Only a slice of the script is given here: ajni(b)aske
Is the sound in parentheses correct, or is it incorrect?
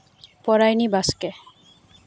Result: correct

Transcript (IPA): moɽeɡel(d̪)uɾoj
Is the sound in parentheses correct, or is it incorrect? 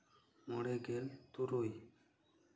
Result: incorrect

